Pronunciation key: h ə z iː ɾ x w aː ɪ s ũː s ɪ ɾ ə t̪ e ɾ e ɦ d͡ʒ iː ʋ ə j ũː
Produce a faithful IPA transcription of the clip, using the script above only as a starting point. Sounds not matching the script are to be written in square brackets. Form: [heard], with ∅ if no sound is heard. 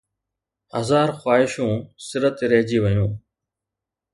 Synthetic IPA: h ə z [aː] ɾ x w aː ɪ [ʃ] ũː s ɪ ɾ ə t̪ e ɾ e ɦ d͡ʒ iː ʋ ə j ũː